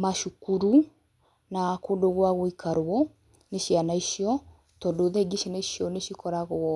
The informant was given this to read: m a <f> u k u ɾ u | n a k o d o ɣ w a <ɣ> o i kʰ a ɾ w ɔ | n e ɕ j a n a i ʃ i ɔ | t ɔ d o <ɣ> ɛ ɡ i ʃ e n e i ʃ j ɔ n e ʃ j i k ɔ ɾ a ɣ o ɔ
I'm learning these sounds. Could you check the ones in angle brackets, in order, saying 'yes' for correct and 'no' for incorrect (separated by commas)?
no, yes, no